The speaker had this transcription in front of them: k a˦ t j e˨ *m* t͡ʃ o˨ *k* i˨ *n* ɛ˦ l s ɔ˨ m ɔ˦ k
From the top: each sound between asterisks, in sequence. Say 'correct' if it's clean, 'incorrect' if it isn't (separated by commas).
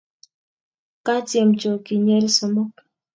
correct, correct, incorrect